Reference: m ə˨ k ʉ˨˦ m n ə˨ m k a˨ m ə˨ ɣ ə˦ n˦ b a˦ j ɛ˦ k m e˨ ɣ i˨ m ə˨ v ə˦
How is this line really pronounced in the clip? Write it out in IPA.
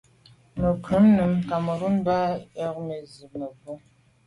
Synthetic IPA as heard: m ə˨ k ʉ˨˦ m n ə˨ m k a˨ m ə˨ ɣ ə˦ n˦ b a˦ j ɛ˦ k m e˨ z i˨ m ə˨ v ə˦